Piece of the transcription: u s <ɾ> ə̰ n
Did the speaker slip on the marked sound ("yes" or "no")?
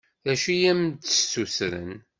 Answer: no